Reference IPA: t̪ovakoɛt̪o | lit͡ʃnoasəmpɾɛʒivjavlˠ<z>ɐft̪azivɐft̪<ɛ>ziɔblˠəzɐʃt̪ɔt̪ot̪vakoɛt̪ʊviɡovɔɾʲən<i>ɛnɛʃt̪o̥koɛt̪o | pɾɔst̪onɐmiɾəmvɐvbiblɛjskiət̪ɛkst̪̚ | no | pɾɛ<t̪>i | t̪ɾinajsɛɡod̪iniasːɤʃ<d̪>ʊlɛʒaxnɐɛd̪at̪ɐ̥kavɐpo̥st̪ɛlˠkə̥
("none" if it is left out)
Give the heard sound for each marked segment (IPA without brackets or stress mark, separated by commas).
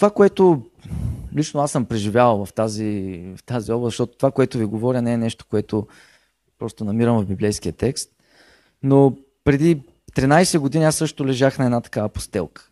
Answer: v, a, ɛ, d̪, t̪